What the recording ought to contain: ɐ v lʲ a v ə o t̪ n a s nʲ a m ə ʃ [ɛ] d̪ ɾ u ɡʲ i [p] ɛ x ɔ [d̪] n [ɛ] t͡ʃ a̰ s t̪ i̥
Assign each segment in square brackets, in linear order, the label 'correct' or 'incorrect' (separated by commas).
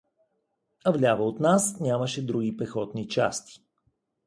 correct, correct, incorrect, incorrect